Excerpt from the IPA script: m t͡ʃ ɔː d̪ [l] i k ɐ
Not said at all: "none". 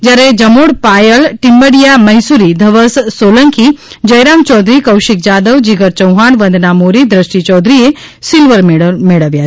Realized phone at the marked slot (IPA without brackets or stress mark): ɾ